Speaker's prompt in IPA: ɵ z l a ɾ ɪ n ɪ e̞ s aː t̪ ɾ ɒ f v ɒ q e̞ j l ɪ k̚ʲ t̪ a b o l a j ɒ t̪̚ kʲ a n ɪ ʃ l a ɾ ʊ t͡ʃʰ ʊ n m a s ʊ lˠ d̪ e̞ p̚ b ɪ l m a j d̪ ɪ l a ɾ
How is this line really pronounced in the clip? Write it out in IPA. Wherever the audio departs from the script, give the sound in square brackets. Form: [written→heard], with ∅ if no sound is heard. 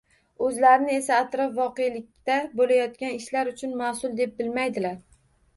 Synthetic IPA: ɵ z l a ɾ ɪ n ɪ e̞ s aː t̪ ɾ ɒ f v ɒ q e̞ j l ɪ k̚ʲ t̪ a b o l a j ɒ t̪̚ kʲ a n ɪ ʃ l a ɾ ʊ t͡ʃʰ ʊ n m a s ʊ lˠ d̪ e̞ p̚ b ɪ l m a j d̪ ɪ l a ɾ